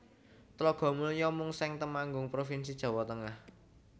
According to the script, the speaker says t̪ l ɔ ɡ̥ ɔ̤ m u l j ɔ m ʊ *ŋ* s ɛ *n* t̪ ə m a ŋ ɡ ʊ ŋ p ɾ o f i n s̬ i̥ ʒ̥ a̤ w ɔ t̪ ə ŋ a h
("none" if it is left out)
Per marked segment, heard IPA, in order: ŋ, ŋ

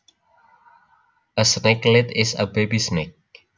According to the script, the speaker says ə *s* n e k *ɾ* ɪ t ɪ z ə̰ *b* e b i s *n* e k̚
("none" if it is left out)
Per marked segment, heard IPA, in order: s, l, b, n

